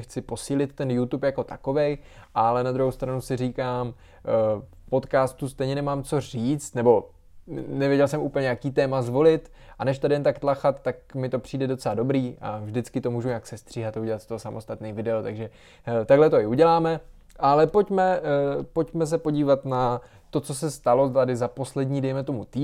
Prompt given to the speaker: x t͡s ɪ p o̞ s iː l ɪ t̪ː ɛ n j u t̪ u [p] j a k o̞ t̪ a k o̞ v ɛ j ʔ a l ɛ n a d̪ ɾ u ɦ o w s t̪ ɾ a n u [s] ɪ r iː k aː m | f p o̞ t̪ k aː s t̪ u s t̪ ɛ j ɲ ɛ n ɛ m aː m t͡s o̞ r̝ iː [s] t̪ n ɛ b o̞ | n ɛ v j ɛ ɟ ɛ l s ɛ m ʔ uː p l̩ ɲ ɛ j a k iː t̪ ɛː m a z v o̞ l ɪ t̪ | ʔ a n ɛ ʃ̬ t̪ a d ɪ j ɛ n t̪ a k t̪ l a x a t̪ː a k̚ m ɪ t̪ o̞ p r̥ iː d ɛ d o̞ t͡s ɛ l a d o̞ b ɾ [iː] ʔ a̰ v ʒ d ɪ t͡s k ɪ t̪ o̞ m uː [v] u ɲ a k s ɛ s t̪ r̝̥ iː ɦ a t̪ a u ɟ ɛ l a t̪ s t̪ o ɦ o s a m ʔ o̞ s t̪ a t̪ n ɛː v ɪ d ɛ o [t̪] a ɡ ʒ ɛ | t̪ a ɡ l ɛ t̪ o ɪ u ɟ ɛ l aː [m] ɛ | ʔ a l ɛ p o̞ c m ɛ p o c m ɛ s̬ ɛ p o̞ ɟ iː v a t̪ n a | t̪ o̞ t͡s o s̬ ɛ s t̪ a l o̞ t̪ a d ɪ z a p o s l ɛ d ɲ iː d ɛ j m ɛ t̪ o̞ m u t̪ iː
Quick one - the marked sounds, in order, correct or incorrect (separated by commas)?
correct, correct, incorrect, correct, incorrect, correct, correct